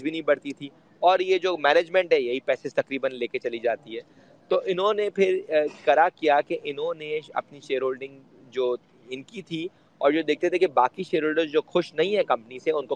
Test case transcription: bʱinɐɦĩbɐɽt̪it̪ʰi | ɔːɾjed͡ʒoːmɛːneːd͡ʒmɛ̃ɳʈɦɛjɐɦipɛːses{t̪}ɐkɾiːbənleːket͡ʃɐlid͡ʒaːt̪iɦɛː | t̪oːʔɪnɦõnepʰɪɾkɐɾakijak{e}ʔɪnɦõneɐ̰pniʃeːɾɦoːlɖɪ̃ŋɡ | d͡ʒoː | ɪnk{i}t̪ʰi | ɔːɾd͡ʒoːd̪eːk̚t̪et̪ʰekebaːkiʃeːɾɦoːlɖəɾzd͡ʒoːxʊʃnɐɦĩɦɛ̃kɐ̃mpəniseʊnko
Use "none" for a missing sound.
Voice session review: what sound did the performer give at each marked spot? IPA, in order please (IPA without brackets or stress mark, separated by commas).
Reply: t̪, e, i